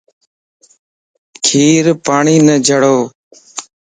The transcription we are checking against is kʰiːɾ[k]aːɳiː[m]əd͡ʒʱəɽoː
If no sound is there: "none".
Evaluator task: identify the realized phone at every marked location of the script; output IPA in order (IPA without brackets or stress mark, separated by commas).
p, n